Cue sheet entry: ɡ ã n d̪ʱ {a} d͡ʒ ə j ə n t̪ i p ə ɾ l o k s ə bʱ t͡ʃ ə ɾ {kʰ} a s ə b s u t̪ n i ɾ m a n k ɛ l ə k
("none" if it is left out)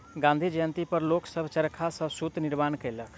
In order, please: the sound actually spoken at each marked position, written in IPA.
i, kʰ

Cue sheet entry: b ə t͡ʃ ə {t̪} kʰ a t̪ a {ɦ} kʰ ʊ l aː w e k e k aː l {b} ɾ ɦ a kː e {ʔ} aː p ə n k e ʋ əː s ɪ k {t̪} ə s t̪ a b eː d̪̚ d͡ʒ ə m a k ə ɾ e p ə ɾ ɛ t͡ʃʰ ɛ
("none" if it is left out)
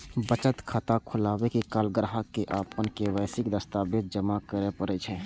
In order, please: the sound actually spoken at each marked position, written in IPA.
t̪, none, ɡ, ʔ, d̪

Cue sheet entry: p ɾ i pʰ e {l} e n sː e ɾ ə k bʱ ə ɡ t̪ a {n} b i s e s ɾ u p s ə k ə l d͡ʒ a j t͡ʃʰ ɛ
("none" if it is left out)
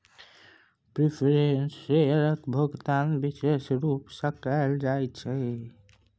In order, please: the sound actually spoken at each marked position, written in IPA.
ɾ, n

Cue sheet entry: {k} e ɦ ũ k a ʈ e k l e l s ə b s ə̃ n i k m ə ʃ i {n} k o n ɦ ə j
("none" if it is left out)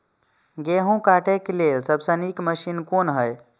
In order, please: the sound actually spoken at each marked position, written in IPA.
ɡ, n

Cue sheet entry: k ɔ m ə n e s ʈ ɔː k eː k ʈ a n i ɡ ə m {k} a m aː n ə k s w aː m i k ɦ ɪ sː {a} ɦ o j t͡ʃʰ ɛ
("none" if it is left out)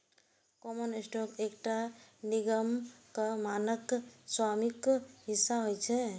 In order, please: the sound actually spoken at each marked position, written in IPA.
k, a

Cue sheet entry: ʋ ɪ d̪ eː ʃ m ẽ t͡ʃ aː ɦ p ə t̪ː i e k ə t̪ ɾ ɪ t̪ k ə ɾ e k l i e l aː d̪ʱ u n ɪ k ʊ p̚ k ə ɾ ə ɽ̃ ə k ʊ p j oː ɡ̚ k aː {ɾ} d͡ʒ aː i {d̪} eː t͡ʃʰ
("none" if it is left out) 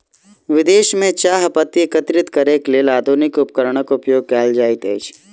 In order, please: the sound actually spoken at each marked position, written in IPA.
l, t̪

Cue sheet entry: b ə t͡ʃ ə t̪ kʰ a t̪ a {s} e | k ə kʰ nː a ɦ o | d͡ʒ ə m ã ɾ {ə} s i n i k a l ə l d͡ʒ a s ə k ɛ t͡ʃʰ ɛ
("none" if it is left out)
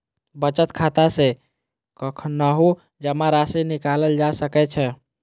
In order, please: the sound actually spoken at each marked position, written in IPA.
s, a

